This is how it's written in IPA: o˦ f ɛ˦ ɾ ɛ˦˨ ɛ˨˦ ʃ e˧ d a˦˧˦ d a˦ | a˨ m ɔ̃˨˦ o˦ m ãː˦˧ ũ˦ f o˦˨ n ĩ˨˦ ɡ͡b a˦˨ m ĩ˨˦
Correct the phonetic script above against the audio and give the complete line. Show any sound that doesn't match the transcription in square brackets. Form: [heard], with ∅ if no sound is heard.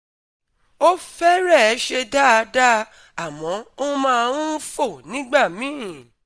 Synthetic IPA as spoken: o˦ f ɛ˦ ɾ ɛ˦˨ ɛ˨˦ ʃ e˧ d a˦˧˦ d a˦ | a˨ m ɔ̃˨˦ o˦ m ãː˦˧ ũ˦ f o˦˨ n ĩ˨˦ ɡ͡b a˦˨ m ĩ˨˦